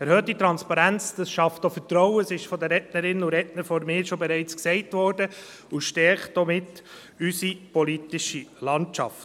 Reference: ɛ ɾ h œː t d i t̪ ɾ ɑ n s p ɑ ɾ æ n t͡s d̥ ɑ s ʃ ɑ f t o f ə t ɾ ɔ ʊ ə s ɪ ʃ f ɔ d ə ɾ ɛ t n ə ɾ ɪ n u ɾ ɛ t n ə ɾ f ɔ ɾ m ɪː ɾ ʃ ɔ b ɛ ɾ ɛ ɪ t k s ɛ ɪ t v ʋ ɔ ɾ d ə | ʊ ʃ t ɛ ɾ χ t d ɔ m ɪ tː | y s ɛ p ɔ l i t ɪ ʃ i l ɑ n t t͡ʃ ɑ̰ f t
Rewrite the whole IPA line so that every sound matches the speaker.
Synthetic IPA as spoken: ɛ ɾ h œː t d i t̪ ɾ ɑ n s p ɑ ɾ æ n t͡s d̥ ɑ s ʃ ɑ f t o f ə t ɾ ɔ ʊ ə s ɪ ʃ f ɔ d ə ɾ ɛ t n ə ɾ ɪ n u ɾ ɛ t n ə ɾ f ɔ ɾ m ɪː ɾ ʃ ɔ b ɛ ɾ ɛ ɪ t͡s k s ɛ ɪ t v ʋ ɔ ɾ d ə | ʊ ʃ t ɛ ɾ χ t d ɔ m ɪ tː | y s i p ɔ l i t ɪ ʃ i l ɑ n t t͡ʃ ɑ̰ f t